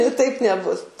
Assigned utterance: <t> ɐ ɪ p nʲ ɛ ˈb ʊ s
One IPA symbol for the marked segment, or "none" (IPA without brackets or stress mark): t